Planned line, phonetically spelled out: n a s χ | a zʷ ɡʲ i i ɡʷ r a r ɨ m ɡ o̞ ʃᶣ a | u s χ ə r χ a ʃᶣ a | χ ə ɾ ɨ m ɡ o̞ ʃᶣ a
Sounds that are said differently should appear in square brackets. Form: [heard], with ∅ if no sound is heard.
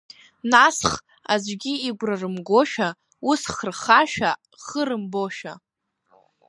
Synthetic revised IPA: n a s χ | a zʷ ɡʲ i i ɡʷ r a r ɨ m ɡ o̞ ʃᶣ a | u s χ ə r χ a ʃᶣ a | χ ə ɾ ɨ m [b] o̞ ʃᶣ a